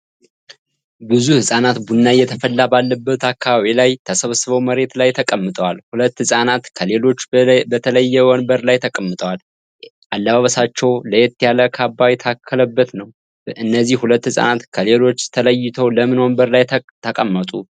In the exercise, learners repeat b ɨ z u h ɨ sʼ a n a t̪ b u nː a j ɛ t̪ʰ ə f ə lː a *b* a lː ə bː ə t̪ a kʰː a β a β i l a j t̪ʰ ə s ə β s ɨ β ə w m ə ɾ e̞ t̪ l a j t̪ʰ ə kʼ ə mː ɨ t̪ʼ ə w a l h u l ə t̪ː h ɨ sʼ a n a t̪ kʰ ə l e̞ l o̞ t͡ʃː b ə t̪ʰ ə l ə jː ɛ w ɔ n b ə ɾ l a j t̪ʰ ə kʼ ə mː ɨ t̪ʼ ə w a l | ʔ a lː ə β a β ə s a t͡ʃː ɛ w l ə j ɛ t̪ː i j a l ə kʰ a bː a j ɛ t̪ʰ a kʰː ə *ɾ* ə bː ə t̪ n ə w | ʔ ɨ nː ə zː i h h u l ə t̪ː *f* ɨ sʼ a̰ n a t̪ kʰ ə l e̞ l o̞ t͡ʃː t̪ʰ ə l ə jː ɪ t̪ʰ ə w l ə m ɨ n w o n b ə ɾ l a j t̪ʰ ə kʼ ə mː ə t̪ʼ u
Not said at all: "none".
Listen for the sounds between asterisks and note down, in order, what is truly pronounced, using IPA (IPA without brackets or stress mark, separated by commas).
b, l, h